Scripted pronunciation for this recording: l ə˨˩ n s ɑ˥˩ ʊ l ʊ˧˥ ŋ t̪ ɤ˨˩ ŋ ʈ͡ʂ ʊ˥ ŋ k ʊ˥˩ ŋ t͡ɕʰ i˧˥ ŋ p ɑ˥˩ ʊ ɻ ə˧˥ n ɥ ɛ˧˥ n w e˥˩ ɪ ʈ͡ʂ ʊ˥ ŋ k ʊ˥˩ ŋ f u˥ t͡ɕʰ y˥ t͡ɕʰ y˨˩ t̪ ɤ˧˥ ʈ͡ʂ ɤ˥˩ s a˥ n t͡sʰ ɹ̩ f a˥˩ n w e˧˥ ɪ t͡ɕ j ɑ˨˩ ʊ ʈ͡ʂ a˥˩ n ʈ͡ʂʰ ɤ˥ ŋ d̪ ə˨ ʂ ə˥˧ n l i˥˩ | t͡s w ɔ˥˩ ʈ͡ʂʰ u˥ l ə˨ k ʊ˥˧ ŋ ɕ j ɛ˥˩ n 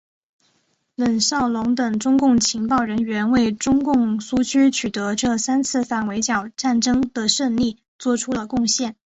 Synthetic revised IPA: l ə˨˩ n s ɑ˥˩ ʊ l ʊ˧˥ ŋ t̪ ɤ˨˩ ŋ ʈ͡ʂ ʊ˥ ŋ k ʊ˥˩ ŋ t͡ɕʰ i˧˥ ŋ p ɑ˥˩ ʊ ɻ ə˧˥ n ɥ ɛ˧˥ n w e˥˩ ɪ ʈ͡ʂ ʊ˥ ŋ k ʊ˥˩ ŋ s u˥ t͡ɕʰ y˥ t͡ɕʰ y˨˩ t̪ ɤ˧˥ ʈ͡ʂ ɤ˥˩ s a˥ n t͡sʰ ɹ̩ f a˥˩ n w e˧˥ ɪ t͡ɕ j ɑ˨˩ ʊ ʈ͡ʂ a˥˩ n ʈ͡ʂ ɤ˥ ŋ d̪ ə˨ ʂ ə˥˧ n l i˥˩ | t͡s w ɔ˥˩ ʈ͡ʂʰ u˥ l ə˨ k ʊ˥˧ ŋ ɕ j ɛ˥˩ n